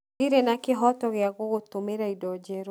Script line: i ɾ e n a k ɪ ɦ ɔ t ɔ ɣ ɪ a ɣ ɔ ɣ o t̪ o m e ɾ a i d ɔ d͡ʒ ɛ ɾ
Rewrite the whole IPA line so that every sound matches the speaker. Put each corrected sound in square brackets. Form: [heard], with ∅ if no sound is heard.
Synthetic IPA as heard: i ɾ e n a k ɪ ɦ ɔ t ɔ ɣ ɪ a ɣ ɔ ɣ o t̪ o m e ɾ a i d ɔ d͡ʒ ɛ ɾ